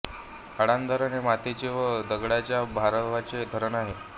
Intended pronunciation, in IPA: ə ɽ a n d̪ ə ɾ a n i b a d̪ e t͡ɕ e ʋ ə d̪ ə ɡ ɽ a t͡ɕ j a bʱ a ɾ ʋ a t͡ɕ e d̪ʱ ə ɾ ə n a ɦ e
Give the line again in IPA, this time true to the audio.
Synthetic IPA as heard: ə ɽ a n d̪ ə ɾ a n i m a t̪ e t͡ɕ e ʋ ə d̪ ə ɡ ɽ a t͡ɕ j a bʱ a ɾ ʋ a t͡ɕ e d̪ʱ ə ɾ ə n a ɦ e